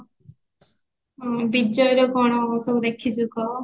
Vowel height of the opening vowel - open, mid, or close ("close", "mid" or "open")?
close